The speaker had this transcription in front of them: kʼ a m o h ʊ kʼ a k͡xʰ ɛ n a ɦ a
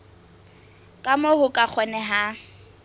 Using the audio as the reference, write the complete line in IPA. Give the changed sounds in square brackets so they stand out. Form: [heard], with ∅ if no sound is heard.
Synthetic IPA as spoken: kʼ a m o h ʊ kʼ a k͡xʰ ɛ n [ɛ] ɦ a